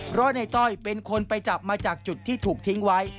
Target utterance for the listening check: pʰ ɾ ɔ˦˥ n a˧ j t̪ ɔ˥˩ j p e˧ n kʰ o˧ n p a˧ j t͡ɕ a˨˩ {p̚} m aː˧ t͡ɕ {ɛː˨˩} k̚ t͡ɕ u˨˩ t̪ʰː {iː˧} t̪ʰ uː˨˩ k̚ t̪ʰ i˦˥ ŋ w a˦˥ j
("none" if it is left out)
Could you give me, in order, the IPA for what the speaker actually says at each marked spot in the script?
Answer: p̚, aː˨˩, iː˥˩

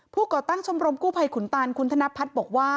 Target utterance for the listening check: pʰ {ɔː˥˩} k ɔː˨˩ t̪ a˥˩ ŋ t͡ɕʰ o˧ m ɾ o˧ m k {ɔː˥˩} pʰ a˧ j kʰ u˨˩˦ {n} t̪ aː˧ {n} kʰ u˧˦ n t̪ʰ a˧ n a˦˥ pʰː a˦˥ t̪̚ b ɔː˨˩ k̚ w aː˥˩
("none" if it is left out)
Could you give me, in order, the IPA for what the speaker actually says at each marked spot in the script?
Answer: uː˥˩, uː˥˩, n, n

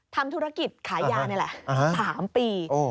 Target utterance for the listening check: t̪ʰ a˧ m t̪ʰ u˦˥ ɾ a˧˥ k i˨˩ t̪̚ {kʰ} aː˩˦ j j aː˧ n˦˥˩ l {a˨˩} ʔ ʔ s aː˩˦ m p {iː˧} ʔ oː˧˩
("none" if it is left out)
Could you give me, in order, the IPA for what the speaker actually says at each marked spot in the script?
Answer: kʰ, ɛ˨˩, iː˧

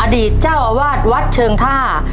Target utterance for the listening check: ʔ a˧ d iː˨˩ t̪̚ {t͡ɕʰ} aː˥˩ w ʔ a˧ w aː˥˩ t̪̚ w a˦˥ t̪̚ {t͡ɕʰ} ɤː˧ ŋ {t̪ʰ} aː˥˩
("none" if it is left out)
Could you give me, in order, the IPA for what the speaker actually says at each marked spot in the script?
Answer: t͡ɕ, t͡ɕʰ, t̪ʰ

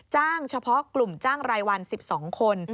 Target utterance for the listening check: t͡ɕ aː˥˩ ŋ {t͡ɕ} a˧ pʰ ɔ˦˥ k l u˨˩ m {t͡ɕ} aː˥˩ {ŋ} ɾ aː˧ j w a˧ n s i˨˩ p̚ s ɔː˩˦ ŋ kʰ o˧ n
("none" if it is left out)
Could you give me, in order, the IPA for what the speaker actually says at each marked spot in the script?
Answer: t͡ɕʰ, t͡ɕ, ŋ

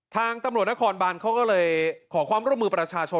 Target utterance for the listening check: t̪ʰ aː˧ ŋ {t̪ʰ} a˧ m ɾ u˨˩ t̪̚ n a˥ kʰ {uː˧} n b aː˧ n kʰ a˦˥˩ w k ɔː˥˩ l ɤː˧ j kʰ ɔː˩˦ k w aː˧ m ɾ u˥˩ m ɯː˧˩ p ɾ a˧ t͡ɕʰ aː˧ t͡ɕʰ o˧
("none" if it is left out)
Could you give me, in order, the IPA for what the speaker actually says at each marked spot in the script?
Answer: t̪, ɔː˧

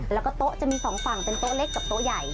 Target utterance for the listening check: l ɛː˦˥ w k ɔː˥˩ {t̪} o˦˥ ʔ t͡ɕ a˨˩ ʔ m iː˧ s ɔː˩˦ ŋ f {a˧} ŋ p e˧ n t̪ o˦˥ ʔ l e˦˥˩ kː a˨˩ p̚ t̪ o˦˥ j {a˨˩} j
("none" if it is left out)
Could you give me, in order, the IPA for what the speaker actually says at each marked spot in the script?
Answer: t̪, a˨˩, a˨˩

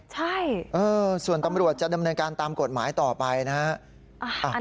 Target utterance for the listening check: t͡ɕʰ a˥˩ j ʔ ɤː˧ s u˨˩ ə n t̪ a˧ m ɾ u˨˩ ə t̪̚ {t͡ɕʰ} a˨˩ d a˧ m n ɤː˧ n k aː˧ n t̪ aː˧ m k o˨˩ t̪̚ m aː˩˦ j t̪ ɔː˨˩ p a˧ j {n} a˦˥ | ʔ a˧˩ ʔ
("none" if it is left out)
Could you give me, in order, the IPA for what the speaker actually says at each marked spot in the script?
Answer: t͡ɕ, n

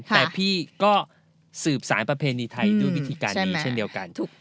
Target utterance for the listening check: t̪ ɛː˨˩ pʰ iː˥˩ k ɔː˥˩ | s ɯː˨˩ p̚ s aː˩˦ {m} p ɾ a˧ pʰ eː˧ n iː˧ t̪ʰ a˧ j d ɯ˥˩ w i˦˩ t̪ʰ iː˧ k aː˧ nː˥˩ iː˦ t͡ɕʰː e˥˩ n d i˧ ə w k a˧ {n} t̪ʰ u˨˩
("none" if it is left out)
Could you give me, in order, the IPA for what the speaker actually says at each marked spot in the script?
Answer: n, n

